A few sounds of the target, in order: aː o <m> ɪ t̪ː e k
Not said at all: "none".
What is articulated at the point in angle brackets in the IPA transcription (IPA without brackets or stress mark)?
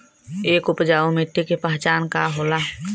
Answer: m